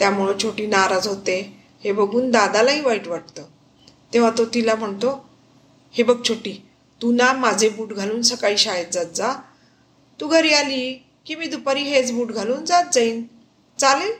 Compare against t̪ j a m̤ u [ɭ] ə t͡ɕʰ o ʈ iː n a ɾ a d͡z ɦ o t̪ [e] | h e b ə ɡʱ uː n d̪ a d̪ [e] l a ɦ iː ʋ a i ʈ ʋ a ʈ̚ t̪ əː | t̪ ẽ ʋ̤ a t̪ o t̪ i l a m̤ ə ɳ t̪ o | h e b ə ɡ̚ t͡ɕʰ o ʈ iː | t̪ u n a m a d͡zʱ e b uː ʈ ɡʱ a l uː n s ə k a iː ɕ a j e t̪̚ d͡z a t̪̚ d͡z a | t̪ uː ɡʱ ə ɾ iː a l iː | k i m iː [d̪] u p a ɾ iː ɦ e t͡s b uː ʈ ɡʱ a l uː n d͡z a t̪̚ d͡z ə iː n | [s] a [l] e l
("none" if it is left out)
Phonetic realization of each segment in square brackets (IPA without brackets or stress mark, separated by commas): ɭ, e, a, d̪, t͡s, l